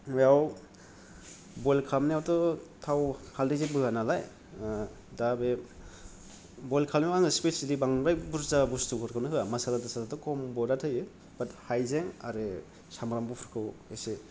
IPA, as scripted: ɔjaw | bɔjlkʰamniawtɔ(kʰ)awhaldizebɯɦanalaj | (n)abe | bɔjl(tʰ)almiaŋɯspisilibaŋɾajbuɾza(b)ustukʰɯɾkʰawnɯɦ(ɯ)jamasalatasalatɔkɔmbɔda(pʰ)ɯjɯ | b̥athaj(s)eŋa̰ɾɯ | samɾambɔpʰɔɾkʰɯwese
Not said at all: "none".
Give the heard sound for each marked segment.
tʰ, d, kʰ, b, ɯ, tʰ, z

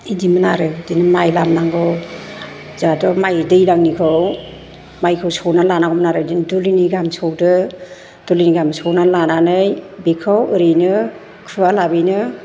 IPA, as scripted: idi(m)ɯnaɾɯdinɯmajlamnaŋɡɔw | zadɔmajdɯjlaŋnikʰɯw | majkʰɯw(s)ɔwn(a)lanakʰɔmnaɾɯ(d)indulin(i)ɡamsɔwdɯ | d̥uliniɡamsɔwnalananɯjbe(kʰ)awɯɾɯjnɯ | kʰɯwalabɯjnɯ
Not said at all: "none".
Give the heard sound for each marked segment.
m, s, a, d, i, kʰ

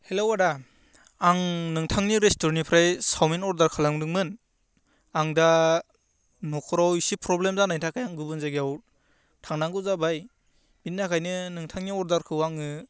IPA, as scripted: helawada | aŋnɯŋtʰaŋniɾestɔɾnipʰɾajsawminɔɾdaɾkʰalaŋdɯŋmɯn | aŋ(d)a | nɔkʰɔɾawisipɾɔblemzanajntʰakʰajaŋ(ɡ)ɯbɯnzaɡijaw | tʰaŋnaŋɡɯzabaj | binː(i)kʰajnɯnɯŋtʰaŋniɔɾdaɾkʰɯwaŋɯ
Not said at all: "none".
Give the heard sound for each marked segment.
d, ɡ, a

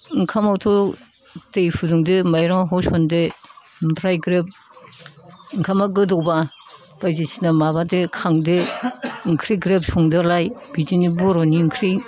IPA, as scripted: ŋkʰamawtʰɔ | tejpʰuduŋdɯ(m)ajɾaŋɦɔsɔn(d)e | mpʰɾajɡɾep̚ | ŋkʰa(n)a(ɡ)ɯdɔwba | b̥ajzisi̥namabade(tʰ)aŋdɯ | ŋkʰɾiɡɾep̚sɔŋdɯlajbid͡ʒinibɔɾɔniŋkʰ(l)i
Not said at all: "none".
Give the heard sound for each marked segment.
m, d, m, ɡ, kʰ, ɾ

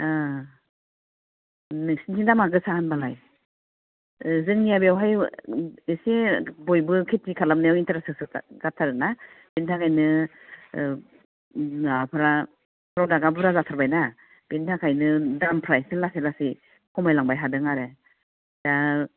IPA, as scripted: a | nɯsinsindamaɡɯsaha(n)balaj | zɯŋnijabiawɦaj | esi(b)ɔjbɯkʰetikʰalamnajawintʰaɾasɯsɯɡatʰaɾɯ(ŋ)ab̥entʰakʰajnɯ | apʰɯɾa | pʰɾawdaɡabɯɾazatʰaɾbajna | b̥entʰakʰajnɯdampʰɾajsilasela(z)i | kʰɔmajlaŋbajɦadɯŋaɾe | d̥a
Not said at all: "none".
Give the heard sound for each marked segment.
n, b, n, s

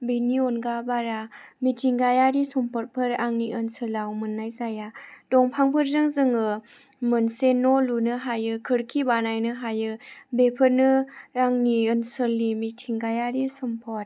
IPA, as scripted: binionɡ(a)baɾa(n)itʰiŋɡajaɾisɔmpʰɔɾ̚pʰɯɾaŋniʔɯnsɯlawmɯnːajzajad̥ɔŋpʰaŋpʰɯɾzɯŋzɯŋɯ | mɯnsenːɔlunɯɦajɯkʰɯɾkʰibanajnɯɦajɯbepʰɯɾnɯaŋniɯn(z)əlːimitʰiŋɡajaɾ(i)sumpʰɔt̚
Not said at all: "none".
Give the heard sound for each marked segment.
a, m, s, i

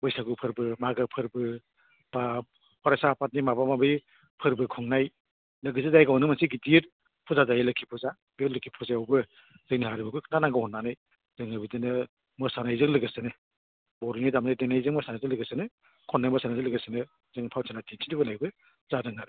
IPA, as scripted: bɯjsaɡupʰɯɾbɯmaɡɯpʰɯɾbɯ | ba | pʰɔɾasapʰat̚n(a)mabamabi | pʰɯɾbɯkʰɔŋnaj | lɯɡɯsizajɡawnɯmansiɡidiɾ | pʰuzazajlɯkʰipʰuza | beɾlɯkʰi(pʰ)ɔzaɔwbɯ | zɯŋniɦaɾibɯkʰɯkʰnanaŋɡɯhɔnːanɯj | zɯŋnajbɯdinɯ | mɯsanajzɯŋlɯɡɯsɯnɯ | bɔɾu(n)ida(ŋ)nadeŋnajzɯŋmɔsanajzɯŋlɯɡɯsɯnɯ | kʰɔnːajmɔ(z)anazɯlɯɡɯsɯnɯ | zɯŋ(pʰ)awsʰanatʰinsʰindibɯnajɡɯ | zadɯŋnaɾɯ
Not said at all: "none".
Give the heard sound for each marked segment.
i, pʰ, n, m, s, pʰ

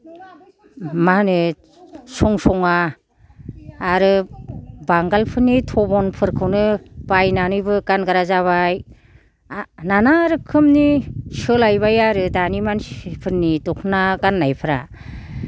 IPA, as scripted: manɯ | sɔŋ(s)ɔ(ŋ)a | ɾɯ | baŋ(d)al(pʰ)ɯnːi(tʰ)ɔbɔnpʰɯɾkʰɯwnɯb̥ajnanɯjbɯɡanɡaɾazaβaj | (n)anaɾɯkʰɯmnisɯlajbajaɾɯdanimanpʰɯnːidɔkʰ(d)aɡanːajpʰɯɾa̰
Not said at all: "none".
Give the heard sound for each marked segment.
s, ŋ, ɡ, pʰ, tʰ, n, n

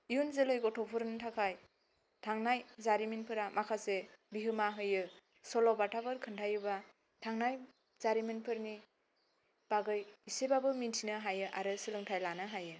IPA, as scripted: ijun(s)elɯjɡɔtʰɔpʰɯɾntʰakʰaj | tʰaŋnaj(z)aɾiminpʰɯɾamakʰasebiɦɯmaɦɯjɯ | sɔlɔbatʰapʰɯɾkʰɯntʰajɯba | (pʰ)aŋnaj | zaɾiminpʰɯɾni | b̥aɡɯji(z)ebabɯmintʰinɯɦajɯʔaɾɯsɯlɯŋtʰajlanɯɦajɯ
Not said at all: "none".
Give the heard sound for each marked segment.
z, z, tʰ, s

